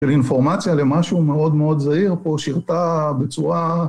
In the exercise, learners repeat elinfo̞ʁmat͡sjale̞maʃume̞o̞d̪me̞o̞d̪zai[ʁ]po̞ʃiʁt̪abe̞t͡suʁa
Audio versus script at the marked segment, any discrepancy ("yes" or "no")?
no